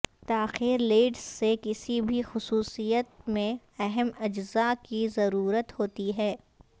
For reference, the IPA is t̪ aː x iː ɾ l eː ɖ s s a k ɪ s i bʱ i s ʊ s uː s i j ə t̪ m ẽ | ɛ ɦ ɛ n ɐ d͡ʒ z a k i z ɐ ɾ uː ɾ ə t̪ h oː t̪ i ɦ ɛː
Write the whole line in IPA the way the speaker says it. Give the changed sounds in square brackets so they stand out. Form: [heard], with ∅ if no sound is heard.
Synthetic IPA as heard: t̪ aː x iː ɾ l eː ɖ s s [e] k ɪ s i bʱ i [x] ʊ s uː s i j ə t̪ m ẽ | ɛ ɦ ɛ [m] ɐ d͡ʒ z a k i z ɐ ɾ uː ɾ ə t̪ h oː t̪ i ɦ ɛː